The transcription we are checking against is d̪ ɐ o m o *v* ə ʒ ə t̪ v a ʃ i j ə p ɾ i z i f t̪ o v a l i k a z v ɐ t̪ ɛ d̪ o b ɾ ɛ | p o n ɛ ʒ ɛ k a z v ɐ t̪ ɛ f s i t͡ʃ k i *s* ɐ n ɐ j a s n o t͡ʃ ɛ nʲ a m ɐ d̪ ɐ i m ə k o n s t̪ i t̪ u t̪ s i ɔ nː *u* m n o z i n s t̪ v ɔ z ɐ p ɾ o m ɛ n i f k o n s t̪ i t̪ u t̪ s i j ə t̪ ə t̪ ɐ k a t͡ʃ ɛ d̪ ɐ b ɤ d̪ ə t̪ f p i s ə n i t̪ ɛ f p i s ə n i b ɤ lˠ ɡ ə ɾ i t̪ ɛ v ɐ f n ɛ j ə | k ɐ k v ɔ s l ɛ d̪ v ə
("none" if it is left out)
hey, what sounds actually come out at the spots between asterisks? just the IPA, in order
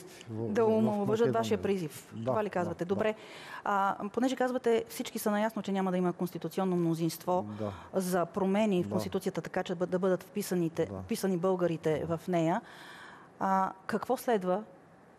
v, s, o

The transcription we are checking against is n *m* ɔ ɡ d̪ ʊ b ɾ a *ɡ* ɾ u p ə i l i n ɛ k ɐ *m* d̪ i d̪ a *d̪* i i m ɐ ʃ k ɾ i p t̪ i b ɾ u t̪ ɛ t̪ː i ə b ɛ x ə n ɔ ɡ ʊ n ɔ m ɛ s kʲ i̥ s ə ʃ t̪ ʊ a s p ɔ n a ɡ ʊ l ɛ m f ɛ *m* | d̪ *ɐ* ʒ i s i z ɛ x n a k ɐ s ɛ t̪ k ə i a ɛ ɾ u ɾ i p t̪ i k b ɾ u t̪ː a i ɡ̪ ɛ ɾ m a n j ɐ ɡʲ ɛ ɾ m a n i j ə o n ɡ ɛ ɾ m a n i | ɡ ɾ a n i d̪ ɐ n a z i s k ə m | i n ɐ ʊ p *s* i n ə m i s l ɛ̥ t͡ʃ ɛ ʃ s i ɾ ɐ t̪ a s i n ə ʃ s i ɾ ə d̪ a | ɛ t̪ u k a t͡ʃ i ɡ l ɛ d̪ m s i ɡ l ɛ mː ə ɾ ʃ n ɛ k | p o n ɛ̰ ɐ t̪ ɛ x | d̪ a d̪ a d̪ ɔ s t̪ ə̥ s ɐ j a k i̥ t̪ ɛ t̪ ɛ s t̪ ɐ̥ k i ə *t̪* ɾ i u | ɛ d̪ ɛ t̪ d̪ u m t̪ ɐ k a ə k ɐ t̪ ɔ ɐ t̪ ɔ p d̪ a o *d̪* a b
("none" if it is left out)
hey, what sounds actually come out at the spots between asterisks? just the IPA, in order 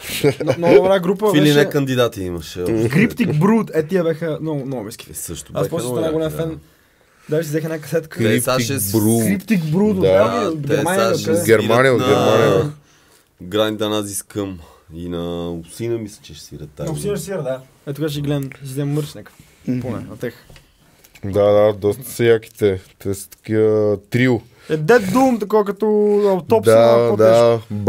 n, ɡ, n, t̪, n, a, s, t̪, d̪

